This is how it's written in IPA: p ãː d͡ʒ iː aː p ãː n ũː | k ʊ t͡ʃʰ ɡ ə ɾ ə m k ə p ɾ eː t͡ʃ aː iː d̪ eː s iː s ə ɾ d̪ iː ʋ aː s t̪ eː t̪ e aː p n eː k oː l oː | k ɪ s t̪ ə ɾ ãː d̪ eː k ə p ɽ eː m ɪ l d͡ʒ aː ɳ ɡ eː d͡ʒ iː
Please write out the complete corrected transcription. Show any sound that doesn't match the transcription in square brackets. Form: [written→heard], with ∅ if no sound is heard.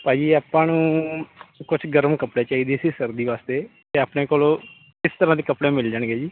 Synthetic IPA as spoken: p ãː d͡ʒ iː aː p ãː n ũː | k ʊ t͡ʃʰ ɡ ə ɾ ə m k ə p [ɾ→ɽ] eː t͡ʃ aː iː d̪ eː s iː s ə ɾ d̪ iː ʋ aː s t̪ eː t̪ e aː p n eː k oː l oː | k ɪ s t̪ ə ɾ ãː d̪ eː k ə p ɽ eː m ɪ l d͡ʒ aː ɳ ɡ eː d͡ʒ iː